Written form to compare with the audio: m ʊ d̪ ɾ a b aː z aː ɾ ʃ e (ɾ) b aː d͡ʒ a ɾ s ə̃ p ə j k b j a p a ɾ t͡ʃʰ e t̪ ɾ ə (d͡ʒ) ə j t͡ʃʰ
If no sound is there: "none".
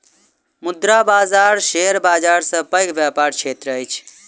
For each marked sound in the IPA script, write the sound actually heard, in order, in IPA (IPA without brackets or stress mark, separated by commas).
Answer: ɾ, none